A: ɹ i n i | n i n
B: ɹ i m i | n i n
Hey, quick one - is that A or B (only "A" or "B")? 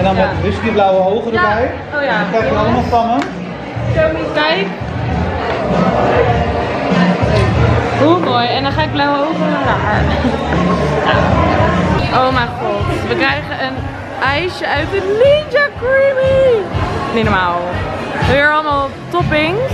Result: B